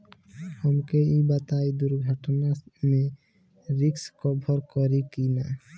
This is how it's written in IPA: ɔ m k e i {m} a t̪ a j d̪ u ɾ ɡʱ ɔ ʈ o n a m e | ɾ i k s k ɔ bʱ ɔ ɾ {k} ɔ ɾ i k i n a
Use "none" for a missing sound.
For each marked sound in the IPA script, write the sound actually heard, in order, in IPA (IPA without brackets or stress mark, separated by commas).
b, k